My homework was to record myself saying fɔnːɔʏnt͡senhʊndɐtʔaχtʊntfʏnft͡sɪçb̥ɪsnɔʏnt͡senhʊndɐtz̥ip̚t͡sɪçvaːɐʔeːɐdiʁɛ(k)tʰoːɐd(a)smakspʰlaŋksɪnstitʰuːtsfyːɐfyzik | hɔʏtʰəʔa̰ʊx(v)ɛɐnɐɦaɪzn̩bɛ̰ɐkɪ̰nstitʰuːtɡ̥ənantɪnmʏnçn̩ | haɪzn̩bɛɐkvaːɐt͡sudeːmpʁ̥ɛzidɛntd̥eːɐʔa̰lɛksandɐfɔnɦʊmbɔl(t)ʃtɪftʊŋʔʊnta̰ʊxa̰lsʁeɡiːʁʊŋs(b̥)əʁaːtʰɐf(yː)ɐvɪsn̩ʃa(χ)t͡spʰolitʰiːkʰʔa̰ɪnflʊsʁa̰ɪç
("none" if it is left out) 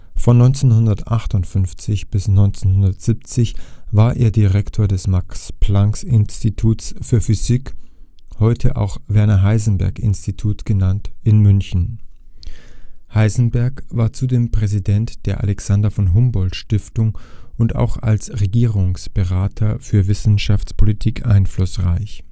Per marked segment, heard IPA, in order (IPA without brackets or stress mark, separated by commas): k, ɛ, v, t, b̥, yː, f